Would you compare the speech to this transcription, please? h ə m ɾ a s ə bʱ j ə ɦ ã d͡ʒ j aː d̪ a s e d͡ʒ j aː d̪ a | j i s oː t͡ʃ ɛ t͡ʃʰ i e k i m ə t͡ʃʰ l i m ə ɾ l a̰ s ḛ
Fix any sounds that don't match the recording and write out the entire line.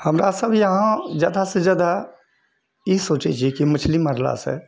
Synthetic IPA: h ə m ɾ a s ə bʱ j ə ɦ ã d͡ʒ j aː d̪ a s e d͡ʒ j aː d̪ a | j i s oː t͡ʃ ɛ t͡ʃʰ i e k i m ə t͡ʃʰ l i m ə ɾ l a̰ s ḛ

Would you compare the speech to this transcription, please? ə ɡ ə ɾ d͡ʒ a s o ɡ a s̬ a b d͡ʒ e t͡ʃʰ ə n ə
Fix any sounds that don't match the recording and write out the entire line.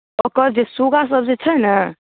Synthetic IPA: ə k ə ɾ d͡ʒ e s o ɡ a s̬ ə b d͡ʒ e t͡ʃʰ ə n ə

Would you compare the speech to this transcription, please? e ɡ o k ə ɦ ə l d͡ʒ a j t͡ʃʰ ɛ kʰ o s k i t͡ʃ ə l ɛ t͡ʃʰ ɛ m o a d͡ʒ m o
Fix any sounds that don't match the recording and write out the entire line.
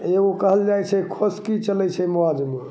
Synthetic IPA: e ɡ o k ə ɦ ə l d͡ʒ a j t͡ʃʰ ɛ kʰ o s k i t͡ʃ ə l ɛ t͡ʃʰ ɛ m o a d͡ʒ m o

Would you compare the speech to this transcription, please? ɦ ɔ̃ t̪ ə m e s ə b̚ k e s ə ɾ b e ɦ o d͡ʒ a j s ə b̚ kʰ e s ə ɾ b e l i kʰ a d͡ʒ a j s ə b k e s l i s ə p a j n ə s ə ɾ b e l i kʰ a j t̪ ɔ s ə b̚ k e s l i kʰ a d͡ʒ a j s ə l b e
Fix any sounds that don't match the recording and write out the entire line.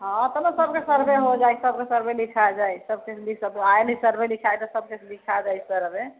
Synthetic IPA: ɦ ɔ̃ t̪ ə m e s ə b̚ k e s ə ɾ b e ɦ o d͡ʒ a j s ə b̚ k e s ə ɾ b e l i kʰ a d͡ʒ a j s ə b k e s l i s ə b a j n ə s ə ɾ b e l i kʰ a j t̪ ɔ s ə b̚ k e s l i kʰ a d͡ʒ a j s ə ɾ b e

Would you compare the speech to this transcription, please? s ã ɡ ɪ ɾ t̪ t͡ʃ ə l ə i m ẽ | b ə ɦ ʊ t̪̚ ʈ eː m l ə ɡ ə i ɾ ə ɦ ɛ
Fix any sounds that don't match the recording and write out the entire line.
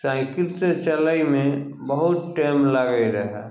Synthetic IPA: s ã k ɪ ɾ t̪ t͡ʃ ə l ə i m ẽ | b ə ɦ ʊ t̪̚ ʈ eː m l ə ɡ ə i ɾ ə ɦ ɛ

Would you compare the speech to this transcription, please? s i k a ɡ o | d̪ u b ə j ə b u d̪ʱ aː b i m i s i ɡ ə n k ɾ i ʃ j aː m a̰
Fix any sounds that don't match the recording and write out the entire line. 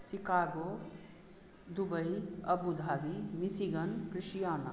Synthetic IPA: s i k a ɡ o | d̪ u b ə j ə b u d̪ʱ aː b i m i s i ɡ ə n k ɾ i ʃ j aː n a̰

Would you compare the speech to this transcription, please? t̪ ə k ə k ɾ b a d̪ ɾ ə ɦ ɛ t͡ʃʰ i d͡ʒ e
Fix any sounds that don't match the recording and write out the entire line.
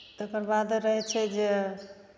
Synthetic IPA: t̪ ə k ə ɾ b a d̪ ɾ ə ɦ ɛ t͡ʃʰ ɛ d͡ʒ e

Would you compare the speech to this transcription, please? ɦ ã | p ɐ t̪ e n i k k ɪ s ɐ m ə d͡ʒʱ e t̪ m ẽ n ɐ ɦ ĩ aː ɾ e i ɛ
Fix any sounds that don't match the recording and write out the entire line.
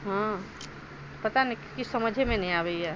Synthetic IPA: ɦ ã | p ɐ t̪ a n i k k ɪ s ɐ m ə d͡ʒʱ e m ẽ n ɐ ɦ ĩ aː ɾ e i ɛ

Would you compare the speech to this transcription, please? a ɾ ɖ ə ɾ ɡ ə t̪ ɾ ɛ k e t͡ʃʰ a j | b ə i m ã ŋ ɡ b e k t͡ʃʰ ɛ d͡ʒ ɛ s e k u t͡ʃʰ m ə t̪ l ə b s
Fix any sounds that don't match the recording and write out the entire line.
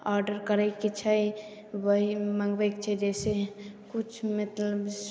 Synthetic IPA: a ɾ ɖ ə ɾ k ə ɾ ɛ k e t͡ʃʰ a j | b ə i m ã ŋ ɡ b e k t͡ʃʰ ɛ d͡ʒ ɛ s e k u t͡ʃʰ m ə t̪ l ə b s

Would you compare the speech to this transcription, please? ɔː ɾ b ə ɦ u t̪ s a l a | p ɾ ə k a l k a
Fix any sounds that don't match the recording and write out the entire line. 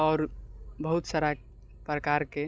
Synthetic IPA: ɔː ɾ b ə ɦ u t̪ s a ɾ a | p ɾ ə k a ɾ k e

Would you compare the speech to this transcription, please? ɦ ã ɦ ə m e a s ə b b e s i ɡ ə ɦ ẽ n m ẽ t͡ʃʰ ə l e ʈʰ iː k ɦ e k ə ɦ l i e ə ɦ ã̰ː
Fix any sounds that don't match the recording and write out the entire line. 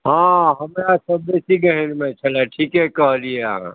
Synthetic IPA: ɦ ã ɦ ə m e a s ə b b e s i ɡ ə ɦ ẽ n m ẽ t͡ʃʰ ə l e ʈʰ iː k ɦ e k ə ɦ l i e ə ɦ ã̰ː

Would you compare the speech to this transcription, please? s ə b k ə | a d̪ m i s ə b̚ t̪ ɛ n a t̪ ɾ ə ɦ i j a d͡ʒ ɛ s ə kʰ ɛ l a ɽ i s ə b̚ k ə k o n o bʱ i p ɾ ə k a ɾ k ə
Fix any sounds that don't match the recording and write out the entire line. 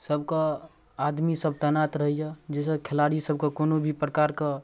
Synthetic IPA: s ə b k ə | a d̪ m i s ə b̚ t̪ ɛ n a t̪ ɾ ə ɦ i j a d͡ʒ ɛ s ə kʰ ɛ l a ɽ i s ə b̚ k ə k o n o bʱ i p ɾ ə k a ɾ k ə

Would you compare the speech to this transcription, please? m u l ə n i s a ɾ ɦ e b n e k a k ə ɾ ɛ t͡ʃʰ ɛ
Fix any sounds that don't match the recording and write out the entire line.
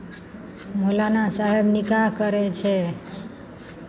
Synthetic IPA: m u l a n a s a ɦ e b n i k a k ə ɾ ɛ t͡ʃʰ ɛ

